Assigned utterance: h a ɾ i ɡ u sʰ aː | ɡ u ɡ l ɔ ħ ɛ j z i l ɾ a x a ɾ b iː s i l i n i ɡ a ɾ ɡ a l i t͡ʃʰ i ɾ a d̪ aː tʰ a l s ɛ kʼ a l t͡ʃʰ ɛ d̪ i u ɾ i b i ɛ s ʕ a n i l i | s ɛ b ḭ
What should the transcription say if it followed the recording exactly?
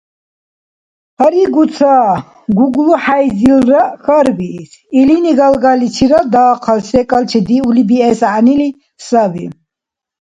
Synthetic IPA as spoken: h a ɾ i ɡ u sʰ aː | ɡ u ɡ l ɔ ħ a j z i l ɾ a x a ɾ b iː s i l i n i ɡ a l ɡ a l i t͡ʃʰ i ɾ a d̪ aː qʰ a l s ɛ kʼ a l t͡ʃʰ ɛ d̪ i u l i b i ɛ s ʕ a n i l i | s a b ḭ